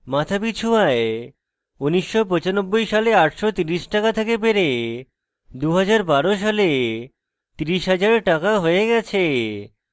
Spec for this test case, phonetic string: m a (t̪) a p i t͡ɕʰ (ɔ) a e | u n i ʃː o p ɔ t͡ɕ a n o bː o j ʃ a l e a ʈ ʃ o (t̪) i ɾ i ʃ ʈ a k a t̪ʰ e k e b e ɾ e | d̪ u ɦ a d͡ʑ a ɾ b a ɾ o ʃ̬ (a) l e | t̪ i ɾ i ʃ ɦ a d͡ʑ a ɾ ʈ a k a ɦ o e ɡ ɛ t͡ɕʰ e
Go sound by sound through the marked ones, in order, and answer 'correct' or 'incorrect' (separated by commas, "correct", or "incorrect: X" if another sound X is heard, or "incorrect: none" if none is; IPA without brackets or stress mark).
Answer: incorrect: t̪ʰ, incorrect: u, correct, correct